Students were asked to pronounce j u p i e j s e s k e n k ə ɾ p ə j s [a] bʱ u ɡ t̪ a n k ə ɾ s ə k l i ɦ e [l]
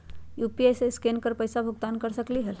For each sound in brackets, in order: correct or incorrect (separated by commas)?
correct, correct